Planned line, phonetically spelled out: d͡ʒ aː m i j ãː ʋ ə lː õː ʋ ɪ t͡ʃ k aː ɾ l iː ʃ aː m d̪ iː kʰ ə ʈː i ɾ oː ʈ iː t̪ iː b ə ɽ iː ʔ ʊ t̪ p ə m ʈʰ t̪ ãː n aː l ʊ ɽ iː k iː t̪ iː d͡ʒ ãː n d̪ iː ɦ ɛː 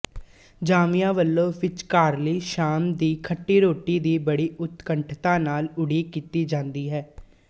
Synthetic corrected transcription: d͡ʒ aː m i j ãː ʋ ə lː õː ʋ ɪ t͡ʃ k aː ɾ l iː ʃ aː m d̪ iː kʰ ə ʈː iː ɾ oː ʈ iː d̪ iː b ə ɽ iː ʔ ʊ t̪ k ə ɳ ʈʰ t̪ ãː n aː l ʊ ɽ iː k iː t̪ iː d͡ʒ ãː n d̪ iː ɦ ɛː